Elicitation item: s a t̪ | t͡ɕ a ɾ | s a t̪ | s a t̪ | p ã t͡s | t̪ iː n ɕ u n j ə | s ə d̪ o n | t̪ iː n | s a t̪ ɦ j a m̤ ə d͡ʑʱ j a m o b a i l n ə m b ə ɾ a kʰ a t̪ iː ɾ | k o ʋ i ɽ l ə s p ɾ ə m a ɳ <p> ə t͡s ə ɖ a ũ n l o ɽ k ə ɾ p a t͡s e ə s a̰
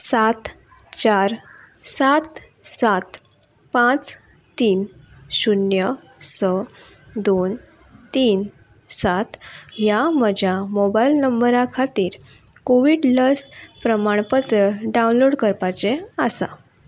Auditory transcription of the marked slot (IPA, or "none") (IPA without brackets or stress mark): p